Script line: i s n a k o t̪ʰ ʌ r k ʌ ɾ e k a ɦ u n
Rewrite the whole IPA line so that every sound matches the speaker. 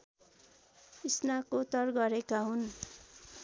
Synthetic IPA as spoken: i s n a k o t̪ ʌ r ɡ ʌ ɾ e k a ɦ u n